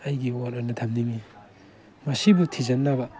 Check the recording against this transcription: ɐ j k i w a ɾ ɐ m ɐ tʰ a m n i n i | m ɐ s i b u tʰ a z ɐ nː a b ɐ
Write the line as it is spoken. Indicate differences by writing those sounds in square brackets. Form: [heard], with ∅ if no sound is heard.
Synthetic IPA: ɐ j [ɡ] i w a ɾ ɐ [n] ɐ tʰ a m n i [m] i | m ɐ s i b u tʰ [i] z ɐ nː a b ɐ